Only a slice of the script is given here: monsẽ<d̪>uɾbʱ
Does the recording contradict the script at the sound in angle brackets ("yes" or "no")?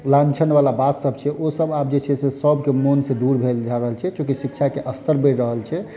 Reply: no